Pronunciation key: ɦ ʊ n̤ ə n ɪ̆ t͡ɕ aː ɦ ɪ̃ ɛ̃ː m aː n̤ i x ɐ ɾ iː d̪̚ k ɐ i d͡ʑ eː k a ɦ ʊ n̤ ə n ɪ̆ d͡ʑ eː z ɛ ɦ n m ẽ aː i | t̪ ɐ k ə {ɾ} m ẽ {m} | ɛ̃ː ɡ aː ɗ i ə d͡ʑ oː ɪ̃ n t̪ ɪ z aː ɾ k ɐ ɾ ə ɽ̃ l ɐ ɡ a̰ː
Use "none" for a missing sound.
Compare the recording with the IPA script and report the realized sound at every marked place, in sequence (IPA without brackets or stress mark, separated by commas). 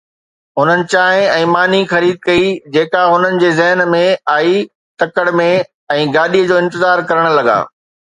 ɽ, none